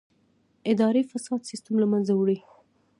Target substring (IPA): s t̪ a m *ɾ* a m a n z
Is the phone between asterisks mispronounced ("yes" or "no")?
yes